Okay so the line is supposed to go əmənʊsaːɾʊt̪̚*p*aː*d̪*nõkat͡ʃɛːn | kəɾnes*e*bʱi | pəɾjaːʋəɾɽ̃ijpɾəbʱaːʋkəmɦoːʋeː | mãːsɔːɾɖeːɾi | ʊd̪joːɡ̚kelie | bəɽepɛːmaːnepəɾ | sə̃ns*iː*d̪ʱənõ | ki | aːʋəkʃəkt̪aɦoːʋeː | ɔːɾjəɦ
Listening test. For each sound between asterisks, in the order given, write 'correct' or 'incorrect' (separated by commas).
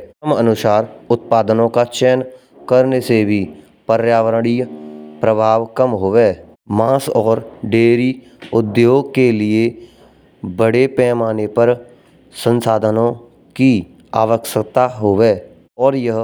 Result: correct, correct, correct, incorrect